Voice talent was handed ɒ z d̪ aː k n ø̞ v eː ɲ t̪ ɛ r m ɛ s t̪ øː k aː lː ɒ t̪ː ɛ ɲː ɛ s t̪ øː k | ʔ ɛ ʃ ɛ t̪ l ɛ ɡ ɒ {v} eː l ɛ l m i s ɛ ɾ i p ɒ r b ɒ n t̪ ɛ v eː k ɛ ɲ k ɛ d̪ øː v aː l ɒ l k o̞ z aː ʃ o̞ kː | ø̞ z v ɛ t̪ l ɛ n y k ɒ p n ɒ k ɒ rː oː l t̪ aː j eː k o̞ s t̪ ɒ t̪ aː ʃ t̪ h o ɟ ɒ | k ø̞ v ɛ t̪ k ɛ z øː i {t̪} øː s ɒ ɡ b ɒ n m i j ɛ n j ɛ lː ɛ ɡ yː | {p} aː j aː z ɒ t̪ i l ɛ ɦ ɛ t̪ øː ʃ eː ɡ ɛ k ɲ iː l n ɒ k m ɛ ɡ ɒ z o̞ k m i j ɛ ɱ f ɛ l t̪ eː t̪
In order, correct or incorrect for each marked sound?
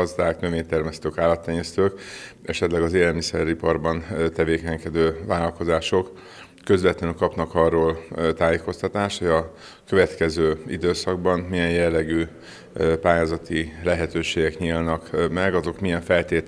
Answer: incorrect, incorrect, correct

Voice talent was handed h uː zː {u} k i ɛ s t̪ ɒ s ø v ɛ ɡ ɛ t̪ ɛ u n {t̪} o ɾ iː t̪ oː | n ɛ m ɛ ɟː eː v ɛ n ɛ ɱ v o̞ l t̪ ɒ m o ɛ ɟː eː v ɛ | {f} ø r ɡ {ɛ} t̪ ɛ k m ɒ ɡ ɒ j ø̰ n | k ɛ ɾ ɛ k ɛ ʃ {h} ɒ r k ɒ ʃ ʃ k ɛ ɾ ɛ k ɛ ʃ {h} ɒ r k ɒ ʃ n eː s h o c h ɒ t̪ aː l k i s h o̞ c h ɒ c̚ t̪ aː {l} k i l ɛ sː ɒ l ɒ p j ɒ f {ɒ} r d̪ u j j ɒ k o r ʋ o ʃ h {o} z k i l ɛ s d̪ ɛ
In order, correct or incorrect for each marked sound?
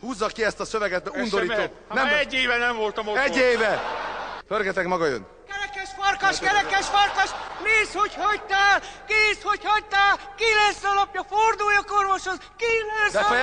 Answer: incorrect, incorrect, correct, correct, incorrect, incorrect, correct, incorrect, correct

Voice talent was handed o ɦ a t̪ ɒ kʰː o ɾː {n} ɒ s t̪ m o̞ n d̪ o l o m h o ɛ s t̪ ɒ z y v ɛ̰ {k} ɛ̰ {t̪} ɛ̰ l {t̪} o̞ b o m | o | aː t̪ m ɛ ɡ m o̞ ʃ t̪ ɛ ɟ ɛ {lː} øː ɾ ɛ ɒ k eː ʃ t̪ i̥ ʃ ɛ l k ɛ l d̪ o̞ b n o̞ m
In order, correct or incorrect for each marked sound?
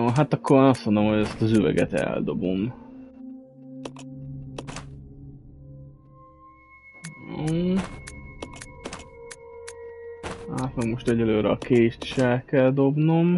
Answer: correct, incorrect, correct, incorrect, incorrect

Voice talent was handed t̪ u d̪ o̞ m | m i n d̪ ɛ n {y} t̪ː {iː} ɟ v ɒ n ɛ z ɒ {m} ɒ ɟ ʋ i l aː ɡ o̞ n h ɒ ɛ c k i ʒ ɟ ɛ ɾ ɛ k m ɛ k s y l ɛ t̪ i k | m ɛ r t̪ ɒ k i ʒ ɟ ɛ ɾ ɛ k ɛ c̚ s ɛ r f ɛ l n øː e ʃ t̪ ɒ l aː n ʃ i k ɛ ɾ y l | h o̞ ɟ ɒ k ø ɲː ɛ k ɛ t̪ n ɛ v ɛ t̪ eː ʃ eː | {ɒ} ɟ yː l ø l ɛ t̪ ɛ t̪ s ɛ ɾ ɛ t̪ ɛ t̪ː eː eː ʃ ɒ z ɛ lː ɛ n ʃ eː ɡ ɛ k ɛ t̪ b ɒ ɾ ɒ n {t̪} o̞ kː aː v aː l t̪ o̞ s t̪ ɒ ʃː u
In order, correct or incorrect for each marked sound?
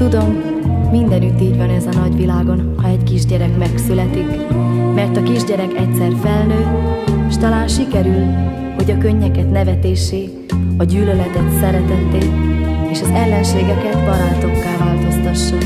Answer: correct, correct, incorrect, correct, correct

